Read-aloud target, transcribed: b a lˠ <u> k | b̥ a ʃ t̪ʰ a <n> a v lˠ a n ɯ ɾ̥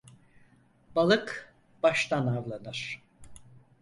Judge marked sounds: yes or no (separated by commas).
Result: no, yes